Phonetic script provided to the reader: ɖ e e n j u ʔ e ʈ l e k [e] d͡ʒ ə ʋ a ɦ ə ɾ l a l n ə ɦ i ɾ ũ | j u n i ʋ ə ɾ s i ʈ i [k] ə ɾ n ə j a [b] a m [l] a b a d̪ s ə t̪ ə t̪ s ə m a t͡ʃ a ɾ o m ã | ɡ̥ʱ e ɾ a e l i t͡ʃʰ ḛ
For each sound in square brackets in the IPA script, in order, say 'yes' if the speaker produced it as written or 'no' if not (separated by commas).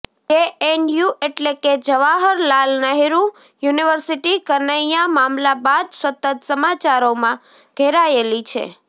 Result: yes, yes, no, yes